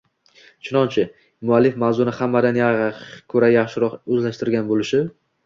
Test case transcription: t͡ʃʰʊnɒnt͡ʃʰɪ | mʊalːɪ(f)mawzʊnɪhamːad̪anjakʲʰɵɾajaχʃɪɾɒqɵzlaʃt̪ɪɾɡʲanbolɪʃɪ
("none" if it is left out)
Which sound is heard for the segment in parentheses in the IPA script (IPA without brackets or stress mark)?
f